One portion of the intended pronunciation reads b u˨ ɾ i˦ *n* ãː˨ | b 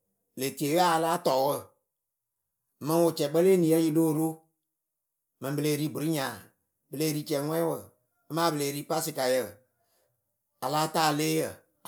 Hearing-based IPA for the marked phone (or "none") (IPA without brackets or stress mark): ɲ